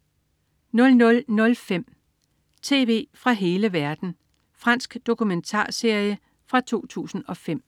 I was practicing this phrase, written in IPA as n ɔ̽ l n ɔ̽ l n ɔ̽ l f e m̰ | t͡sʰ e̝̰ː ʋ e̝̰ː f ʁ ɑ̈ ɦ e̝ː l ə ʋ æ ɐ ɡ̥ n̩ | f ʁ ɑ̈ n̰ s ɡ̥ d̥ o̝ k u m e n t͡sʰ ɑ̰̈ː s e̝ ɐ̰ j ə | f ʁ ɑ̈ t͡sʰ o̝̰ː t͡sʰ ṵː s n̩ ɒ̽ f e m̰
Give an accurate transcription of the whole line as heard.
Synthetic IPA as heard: n ɔ̽ l n ɔ̽ l n ɔ̽ l f e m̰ | t͡sʰ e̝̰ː ʋ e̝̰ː f ʁ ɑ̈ ɦ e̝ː l ə ʋ æ ɐ d̥ n̩ | f ʁ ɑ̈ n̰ s ɡ̥ d̥ o̝ k u m e n t͡sʰ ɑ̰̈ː s e̝ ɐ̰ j ə | f ʁ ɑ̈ t͡sʰ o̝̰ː t͡sʰ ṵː s n̩ ɒ̽ f e m̰